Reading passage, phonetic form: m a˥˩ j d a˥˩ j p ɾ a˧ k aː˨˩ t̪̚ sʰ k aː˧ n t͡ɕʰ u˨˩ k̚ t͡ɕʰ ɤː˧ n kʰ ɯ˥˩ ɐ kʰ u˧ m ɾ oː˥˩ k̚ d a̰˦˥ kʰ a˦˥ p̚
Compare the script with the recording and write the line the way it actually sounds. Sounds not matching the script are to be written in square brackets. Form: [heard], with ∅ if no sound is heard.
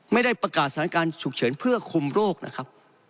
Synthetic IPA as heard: m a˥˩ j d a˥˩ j p ɾ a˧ k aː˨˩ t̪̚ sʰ k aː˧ n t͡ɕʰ u˨˩ k̚ t͡ɕʰ [ɤː˩˦] n [pʰ] ɯ˥˩ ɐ kʰ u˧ m ɾ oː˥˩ k̚ [n] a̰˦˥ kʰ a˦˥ p̚